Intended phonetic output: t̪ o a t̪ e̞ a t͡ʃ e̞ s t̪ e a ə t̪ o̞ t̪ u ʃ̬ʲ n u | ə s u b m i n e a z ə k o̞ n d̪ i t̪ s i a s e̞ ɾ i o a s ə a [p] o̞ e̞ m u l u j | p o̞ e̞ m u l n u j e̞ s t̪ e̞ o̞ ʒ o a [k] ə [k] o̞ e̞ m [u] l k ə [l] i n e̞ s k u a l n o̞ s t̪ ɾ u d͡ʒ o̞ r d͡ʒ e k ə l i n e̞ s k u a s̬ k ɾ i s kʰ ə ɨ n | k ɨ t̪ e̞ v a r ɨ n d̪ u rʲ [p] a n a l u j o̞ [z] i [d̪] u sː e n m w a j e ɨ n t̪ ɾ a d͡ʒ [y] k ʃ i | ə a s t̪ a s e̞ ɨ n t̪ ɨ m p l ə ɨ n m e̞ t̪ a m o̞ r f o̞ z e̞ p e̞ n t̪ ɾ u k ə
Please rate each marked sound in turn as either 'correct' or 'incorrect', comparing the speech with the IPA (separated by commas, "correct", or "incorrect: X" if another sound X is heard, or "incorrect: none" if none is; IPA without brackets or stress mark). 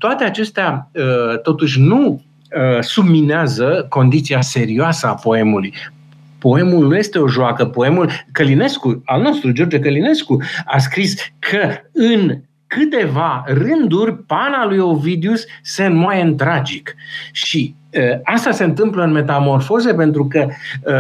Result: correct, correct, incorrect: p, correct, correct, correct, incorrect: v, correct, incorrect: i